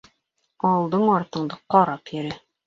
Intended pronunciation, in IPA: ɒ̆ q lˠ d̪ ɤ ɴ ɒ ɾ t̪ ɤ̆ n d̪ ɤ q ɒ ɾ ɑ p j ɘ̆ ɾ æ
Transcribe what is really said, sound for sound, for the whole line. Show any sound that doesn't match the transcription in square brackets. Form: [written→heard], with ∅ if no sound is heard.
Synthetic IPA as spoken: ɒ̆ [q→∅] lˠ d̪ ɤ ɴ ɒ ɾ t̪ ɤ̆ [n→ɴ] d̪ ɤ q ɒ ɾ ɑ p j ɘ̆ ɾ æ

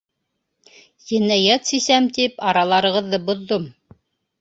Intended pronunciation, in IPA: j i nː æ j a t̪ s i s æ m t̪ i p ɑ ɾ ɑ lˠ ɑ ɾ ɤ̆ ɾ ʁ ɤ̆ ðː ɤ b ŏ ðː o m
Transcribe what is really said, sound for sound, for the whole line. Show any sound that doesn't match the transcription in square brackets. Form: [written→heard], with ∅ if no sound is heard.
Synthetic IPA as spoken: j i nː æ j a t̪ s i s æ m t̪ i p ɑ ɾ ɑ lˠ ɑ ɾ ɤ̆ [ɾ→∅] ʁ ɤ̆ ðː ɤ b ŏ ðː o m

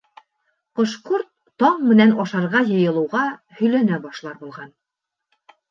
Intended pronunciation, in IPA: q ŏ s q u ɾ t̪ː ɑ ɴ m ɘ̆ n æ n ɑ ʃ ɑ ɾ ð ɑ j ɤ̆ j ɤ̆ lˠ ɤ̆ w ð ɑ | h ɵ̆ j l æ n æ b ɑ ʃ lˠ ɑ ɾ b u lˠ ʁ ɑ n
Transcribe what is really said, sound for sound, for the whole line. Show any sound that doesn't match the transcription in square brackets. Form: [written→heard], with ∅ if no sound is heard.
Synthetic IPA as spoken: q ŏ [s→ʃ] q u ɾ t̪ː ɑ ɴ m ɘ̆ n æ n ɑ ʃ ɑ ɾ [ð→ʁ] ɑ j ɤ̆ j ɤ̆ lˠ ɤ̆ w [ð→ʁ] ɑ | h ɵ̆ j l æ n æ b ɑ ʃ lˠ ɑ ɾ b u lˠ ʁ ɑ n

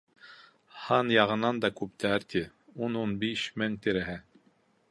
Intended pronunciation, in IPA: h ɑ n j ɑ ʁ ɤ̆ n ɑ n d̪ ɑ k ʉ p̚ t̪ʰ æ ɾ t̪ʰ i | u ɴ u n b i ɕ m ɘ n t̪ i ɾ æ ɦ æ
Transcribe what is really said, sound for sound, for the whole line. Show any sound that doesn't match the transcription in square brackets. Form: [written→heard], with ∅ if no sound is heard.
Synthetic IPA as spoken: h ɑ n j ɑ ʁ ɤ̆ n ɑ n d̪ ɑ k ʉ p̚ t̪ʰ æ ɾ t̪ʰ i | u [ɴ→n] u n b i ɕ m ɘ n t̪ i ɾ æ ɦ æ

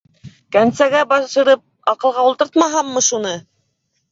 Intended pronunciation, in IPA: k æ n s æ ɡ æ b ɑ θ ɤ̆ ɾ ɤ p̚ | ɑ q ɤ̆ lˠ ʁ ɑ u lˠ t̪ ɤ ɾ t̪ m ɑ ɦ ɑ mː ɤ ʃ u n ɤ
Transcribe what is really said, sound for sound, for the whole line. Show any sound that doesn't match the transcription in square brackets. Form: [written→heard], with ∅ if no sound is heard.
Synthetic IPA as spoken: k æ n s æ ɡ æ b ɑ [θ→ʃ] ɤ̆ ɾ ɤ p̚ | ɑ q ɤ̆ lˠ ʁ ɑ u lˠ t̪ ɤ ɾ t̪ m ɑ ɦ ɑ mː ɤ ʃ u n ɤ

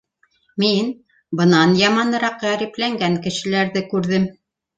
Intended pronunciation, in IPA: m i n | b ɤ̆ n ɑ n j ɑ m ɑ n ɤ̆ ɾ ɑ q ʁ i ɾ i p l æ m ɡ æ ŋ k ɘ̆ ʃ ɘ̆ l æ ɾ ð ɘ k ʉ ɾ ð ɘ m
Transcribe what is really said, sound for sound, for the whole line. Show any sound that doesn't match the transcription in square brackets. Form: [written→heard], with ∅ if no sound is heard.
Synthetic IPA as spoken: m i n | b ɤ̆ n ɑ n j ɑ m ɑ n ɤ̆ ɾ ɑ q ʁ [i→æ] ɾ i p l æ [m→ŋ] ɡ æ ŋ k ɘ̆ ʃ ɘ̆ l æ ɾ ð ɘ k ʉ ɾ ð ɘ m

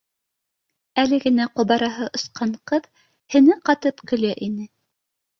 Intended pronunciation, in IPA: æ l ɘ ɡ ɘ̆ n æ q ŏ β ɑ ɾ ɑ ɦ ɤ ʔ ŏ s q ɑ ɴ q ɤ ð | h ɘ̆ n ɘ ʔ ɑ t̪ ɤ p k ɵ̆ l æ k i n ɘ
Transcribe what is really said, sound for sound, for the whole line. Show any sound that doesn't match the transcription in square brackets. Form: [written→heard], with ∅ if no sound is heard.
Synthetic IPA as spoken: æ l ɘ ɡ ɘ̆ n æ q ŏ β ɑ ɾ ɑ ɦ ɤ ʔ ŏ s q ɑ ɴ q ɤ ð | h ɘ̆ n ɘ [ʔ→q] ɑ t̪ ɤ p k ɵ̆ l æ [k→ʔ] i n ɘ

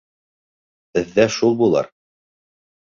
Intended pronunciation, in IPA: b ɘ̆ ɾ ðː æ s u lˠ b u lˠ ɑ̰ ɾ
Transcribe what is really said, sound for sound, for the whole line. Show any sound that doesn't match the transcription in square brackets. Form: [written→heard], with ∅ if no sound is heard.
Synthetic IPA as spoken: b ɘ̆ [ɾ→∅] ðː æ [s→ʃ] u lˠ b u lˠ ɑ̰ ɾ

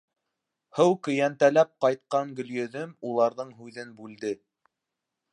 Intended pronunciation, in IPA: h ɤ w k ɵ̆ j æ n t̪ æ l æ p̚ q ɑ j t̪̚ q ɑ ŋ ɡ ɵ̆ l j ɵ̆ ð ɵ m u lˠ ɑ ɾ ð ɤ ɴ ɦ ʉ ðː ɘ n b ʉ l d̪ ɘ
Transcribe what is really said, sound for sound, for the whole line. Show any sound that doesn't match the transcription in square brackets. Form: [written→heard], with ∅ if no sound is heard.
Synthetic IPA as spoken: h ɤ w k ɵ̆ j æ n t̪ æ l æ p̚ q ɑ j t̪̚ q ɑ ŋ ɡ ɵ̆ l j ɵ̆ ð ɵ m u lˠ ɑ ɾ ð ɤ ɴ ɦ ʉ [ðː→ð] ɘ n b ʉ l d̪ ɘ

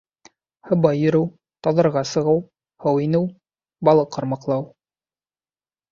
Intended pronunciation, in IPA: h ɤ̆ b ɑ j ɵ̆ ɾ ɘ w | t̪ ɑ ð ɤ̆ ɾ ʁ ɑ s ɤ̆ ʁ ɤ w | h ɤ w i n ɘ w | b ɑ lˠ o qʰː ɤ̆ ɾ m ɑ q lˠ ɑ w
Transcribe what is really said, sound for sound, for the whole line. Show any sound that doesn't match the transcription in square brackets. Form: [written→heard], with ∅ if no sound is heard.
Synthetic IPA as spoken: h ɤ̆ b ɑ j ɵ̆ ɾ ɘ w | t̪ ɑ ð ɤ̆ ɾ ʁ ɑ s ɤ̆ ʁ ɤ w | h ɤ w i n ɘ w | b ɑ lˠ [o→ɤ] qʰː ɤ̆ ɾ m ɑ q lˠ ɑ w

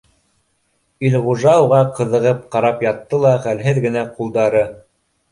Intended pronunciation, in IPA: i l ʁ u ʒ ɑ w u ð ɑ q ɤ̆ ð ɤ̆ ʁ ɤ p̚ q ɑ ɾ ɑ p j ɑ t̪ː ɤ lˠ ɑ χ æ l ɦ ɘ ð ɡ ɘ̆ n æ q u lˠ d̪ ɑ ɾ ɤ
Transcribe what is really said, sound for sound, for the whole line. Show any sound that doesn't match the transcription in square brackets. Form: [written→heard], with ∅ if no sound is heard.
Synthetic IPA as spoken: i l ʁ u ʒ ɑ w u [ð→ʁ] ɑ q ɤ̆ ð ɤ̆ ʁ ɤ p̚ q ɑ ɾ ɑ p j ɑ t̪ː ɤ lˠ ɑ χ æ l ɦ ɘ ð ɡ ɘ̆ n æ q u lˠ d̪ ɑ ɾ ɤ

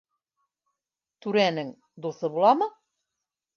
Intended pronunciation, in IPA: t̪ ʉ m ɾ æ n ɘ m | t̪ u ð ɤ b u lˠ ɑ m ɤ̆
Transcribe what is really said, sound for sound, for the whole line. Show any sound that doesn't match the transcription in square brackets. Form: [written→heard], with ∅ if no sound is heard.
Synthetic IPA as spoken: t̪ ʉ [m→∅] ɾ æ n ɘ [m→ŋ] | [t̪→d̪] u [ð→θ] ɤ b u lˠ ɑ m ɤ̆

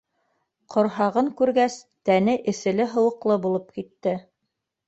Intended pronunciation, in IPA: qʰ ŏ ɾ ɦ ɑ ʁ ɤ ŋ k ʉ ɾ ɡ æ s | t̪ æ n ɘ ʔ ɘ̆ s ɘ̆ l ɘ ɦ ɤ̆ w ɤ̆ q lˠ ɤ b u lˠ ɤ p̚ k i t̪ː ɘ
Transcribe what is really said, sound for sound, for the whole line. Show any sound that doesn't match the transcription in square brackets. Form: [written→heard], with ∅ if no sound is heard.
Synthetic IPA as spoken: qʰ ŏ ɾ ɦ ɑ ʁ ɤ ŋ k ʉ ɾ ɡ æ s | t̪ æ n ɘ ʔ ɘ̆ s ɘ̆ l ɘ ɦ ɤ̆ w ɤ̆ q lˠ ɤ b u lˠ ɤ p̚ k i t̪ː ɘ

